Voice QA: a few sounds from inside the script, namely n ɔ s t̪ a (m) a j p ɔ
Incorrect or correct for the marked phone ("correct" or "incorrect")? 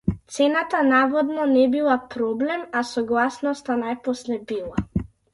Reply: incorrect